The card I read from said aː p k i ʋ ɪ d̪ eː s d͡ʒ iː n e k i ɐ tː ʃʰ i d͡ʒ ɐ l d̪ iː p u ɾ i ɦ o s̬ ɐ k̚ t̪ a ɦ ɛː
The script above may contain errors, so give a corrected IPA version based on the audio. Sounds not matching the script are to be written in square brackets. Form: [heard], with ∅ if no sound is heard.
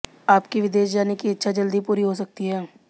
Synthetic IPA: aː p k i ʋ ɪ d̪ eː [ʃ] d͡ʒ [aː] n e k i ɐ tː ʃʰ [a] d͡ʒ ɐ l d̪ [i] p [uː] ɾ i ɦ o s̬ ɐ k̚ t̪ [i] ɦ ɛː